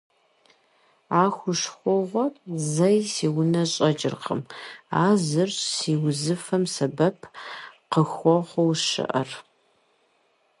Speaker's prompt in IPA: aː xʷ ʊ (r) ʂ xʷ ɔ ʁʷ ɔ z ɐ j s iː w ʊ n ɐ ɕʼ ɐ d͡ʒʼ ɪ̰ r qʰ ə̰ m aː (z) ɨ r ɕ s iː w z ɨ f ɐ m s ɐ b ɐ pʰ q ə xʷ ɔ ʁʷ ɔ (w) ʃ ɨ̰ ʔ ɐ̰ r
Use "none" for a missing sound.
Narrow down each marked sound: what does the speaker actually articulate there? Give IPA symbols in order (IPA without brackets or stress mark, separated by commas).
none, z, w